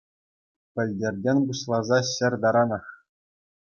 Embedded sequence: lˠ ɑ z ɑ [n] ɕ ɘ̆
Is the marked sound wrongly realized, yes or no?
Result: yes